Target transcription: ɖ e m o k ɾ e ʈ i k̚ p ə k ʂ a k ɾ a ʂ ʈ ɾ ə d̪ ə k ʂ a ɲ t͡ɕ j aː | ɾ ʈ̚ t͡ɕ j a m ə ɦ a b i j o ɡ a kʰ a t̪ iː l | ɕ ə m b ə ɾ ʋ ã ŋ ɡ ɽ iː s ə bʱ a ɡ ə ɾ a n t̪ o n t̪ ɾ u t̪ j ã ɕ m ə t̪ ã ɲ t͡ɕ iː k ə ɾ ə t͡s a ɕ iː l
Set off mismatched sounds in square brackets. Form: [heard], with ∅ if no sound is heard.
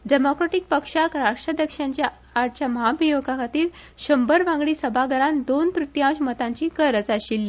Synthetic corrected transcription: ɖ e m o k ɾ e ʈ i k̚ p ə k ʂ a k ɾ a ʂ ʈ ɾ ə d̪ ə k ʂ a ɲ t͡ɕ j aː | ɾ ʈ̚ t͡ɕ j a m ə ɦ a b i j o ɡ a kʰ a t̪ iː l | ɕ ə m b ə ɾ ʋ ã ŋ ɡ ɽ iː s ə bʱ a ɡ ə ɾ a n [d̪] o n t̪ ɾ u t̪ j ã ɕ m ə t̪ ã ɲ t͡ɕ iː k ə ɾ ə t͡s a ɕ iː l